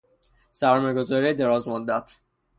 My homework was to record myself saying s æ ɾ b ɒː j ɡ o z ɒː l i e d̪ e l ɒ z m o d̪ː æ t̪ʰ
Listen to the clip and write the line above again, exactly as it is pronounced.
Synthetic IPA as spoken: s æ ɾ m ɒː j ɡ o z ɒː ɾ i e d̪ e ɾ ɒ z m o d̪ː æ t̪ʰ